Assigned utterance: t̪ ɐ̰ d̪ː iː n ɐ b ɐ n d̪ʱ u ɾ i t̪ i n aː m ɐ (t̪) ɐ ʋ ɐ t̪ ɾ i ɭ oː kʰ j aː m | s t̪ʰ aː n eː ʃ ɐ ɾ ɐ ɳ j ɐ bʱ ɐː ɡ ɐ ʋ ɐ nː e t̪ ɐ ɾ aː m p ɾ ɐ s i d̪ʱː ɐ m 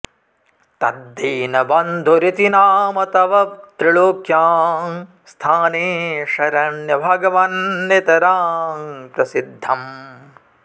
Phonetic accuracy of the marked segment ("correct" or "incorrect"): correct